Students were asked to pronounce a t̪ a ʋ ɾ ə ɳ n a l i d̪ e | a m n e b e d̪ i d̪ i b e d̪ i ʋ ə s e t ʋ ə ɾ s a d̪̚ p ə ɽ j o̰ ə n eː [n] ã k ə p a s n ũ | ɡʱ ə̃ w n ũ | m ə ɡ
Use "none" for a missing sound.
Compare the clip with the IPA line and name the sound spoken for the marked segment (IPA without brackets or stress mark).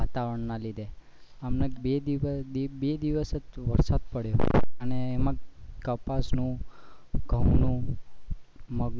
m